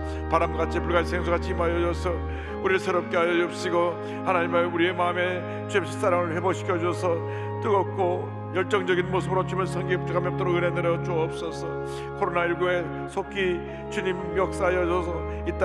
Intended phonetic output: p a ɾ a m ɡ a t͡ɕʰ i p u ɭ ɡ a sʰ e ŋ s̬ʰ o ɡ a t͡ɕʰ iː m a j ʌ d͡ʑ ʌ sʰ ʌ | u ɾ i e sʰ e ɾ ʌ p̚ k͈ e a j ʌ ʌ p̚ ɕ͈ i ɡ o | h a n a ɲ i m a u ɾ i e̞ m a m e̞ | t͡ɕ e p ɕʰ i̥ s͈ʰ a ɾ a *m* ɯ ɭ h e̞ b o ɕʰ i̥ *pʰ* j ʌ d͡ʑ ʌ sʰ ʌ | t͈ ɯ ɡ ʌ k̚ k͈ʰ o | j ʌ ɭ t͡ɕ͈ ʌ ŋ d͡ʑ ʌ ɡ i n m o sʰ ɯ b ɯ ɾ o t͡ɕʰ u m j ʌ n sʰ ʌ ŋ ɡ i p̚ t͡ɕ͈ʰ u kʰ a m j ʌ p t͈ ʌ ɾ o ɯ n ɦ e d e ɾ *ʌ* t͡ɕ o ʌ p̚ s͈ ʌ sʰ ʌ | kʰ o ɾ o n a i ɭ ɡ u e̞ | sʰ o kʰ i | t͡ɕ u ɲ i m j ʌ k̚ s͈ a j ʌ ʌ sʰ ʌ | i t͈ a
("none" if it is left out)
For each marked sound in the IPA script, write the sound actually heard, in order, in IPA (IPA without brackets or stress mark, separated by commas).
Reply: ŋ, kʰ, ʌ